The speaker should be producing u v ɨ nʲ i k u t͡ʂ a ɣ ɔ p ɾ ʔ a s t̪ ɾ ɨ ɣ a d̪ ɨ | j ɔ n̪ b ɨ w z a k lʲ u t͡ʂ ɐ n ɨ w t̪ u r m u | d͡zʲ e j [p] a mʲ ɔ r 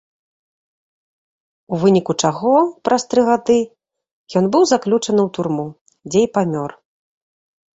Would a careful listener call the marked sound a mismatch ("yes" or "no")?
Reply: no